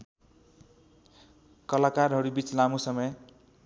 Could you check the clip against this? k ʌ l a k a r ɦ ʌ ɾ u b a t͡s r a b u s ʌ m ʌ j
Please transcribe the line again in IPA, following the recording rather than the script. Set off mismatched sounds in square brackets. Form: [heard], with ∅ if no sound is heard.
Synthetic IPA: k ʌ l a k a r ɦ ʌ ɾ u b [i] t͡s [l] a [m] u s ʌ m ʌ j